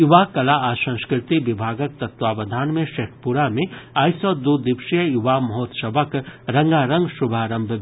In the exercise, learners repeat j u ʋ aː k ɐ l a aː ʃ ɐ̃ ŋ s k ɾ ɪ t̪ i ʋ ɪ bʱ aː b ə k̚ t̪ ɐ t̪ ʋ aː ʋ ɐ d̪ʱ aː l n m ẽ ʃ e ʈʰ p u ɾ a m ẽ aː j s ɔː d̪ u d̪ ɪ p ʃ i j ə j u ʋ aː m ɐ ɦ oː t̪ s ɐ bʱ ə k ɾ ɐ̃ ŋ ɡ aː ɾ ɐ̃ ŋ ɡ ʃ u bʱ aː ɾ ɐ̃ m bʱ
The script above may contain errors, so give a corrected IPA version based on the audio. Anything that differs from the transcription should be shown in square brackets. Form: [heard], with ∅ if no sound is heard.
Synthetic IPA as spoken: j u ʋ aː k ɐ l a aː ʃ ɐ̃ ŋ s k ɾ ɪ t̪ i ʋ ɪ bʱ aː [ɡ] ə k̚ t̪ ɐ t̪ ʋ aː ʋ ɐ d̪ʱ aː [∅] n m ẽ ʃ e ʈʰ p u ɾ a m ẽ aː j s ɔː d̪ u d̪ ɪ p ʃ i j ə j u ʋ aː m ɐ ɦ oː t̪ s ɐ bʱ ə k ɾ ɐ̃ ŋ ɡ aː ɾ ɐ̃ ŋ ɡ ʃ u bʱ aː ɾ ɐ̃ m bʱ